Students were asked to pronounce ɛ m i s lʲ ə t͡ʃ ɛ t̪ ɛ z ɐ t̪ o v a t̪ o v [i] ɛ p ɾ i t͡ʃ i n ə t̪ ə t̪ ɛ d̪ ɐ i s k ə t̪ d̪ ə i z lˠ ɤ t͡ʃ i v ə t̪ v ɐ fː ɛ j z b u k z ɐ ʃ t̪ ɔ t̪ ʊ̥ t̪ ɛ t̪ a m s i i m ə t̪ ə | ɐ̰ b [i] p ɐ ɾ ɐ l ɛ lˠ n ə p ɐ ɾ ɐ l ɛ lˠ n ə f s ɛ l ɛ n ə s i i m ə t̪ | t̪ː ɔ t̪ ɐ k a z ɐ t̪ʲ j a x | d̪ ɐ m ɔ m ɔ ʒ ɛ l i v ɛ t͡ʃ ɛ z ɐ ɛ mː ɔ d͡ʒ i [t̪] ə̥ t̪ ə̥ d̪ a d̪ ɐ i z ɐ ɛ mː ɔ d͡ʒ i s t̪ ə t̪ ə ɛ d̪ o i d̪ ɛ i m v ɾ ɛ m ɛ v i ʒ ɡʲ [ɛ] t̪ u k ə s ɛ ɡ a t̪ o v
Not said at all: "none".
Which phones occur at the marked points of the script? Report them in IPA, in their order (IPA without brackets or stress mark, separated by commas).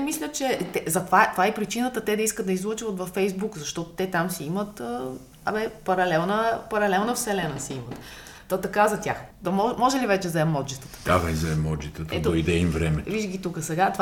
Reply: a, ɛ, t̪, i